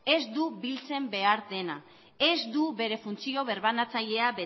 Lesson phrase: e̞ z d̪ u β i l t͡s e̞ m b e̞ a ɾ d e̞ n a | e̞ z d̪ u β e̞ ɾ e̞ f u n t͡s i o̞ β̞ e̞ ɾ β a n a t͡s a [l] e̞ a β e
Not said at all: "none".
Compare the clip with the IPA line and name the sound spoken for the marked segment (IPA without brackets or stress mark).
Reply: ʎ